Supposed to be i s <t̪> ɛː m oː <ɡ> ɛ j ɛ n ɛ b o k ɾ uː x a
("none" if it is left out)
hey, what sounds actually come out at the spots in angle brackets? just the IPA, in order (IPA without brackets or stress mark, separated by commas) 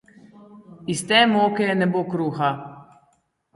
t̪, k